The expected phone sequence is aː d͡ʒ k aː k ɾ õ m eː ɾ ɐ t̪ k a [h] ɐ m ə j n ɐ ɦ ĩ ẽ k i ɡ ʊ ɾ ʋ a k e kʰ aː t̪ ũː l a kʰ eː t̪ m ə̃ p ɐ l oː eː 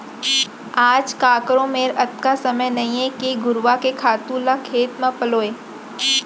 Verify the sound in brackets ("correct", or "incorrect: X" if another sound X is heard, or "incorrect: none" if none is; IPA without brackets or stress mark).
incorrect: s